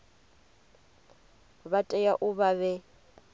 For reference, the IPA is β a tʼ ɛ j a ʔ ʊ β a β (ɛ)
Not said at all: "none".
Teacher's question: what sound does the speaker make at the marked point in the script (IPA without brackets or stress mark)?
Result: ɛ